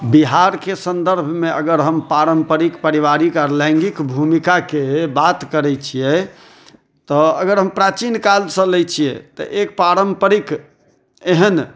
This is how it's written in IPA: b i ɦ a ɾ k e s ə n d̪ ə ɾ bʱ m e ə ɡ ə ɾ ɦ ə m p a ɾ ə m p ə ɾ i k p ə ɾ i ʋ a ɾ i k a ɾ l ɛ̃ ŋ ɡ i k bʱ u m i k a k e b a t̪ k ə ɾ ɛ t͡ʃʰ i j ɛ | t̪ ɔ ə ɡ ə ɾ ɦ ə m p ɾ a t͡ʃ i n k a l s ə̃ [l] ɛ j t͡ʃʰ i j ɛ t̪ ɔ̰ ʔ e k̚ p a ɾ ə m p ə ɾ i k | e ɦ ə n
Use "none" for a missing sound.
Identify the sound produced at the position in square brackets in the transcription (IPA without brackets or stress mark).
l